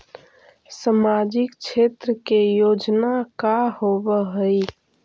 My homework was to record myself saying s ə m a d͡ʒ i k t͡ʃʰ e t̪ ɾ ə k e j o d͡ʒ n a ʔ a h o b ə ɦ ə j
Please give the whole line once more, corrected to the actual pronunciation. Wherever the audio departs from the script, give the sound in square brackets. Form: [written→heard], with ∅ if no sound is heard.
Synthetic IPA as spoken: s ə m a d͡ʒ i k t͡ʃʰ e t̪ ɾ ə k e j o d͡ʒ n a [ʔ→k] a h o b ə ɦ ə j